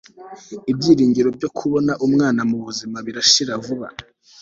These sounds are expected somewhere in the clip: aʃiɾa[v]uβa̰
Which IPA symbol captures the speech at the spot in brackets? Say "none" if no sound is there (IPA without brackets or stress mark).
v